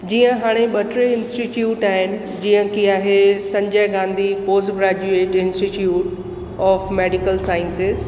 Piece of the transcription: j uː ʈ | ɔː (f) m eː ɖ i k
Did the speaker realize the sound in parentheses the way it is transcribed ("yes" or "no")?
yes